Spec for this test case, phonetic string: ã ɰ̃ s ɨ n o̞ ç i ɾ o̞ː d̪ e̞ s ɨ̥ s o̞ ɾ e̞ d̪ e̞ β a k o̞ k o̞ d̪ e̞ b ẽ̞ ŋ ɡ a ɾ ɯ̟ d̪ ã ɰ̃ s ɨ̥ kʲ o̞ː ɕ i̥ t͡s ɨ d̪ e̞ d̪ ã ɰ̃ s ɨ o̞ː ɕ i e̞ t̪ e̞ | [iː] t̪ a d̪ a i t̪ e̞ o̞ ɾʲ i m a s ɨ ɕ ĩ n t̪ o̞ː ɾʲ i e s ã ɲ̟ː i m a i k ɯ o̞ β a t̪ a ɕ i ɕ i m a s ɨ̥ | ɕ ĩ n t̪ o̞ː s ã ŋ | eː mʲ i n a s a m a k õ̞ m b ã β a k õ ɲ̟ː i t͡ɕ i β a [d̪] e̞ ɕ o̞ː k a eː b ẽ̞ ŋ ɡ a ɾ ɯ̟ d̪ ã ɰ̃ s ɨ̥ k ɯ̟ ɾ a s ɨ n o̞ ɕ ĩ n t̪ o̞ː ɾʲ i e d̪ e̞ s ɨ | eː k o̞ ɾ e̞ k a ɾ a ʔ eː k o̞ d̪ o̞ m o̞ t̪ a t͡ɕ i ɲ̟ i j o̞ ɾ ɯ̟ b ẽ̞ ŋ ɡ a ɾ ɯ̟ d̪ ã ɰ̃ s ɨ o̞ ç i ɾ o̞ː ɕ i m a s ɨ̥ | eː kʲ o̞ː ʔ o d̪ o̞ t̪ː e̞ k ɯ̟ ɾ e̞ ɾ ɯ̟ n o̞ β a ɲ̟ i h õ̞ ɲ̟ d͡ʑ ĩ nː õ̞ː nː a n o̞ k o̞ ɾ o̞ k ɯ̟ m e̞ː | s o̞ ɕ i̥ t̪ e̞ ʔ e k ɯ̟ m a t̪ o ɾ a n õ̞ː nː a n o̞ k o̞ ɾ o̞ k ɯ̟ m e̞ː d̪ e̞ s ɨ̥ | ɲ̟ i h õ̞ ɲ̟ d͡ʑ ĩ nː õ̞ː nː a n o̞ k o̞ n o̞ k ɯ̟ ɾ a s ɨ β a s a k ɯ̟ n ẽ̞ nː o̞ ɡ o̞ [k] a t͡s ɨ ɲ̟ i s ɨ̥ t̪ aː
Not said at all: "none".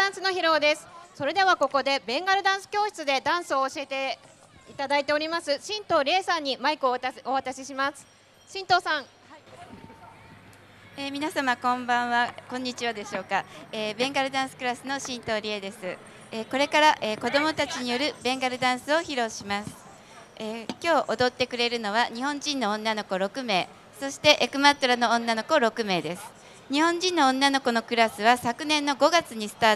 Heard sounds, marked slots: i, d̪, ɡ

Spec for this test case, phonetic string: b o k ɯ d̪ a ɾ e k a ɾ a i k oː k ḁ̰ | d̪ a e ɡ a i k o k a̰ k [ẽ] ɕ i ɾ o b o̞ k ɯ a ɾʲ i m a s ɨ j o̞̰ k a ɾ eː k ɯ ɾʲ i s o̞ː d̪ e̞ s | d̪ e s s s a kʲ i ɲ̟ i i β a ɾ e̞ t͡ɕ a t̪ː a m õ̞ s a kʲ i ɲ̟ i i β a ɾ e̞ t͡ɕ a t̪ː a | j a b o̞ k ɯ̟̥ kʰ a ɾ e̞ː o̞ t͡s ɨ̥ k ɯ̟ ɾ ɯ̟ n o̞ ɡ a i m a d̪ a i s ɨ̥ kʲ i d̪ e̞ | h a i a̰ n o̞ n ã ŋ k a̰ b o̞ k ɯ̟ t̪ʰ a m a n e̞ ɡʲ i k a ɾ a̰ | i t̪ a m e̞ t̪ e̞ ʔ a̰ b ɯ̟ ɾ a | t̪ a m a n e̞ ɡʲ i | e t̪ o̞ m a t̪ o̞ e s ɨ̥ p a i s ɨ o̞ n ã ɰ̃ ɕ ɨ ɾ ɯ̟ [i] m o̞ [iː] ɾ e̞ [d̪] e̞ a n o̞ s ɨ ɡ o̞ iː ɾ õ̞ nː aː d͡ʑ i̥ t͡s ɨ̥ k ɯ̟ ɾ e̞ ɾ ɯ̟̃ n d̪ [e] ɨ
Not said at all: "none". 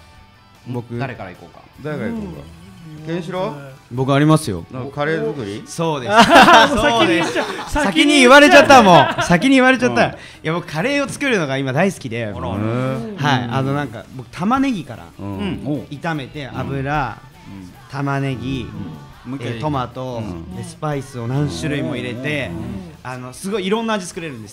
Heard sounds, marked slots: ẽ, i, i, t̪, e

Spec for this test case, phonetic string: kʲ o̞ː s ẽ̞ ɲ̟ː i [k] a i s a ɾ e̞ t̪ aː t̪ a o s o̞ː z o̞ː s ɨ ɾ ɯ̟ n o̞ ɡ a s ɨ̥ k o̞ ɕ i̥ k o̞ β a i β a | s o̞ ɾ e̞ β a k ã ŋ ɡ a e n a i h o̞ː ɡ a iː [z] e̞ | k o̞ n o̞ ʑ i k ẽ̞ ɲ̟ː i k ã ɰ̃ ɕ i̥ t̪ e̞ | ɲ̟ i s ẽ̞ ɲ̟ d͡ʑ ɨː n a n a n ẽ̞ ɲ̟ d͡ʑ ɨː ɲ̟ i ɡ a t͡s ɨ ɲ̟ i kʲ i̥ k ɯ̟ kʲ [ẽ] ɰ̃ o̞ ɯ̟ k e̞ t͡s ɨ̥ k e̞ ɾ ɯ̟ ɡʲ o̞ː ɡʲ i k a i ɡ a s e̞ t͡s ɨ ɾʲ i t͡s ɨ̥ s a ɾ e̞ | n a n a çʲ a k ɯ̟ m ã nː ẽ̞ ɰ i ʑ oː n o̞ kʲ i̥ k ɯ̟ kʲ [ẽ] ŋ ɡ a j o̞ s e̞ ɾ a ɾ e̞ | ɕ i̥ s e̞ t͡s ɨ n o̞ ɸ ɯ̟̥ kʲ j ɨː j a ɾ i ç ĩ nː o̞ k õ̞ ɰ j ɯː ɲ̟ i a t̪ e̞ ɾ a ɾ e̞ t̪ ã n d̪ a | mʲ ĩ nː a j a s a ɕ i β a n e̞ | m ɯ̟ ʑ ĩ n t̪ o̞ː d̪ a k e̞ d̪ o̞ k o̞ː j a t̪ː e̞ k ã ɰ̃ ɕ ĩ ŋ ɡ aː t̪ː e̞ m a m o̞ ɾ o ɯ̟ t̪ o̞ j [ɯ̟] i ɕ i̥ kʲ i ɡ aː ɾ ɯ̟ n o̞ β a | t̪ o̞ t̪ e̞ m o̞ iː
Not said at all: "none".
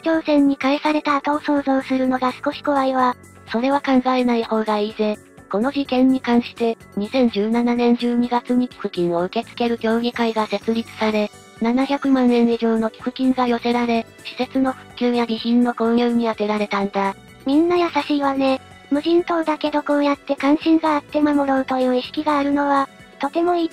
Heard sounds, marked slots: k, z, ĩ, ĩ, ɯ̟ː

